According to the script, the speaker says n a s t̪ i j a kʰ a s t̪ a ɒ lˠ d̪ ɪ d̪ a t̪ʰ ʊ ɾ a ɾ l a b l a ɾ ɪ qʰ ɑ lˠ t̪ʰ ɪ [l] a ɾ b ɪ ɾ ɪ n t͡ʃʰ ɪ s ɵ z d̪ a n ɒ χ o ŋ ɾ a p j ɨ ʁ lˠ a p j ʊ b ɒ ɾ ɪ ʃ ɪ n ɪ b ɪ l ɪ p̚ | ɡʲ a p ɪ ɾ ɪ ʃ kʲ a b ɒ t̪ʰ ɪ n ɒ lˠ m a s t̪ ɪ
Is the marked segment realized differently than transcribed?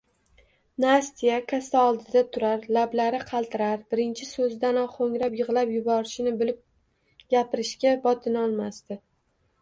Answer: yes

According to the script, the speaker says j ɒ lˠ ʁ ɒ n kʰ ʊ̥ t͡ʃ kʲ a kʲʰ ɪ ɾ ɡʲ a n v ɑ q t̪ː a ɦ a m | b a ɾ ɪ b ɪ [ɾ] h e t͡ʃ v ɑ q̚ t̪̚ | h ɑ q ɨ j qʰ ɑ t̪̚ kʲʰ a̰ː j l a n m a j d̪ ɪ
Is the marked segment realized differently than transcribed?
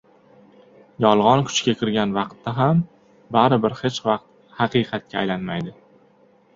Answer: no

